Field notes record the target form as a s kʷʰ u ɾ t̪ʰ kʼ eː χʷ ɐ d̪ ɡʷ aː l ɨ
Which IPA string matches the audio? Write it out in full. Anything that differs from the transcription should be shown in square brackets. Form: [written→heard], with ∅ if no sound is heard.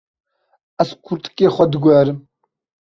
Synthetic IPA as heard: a s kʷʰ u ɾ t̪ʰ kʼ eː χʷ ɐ d̪ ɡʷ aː [l→ɾ] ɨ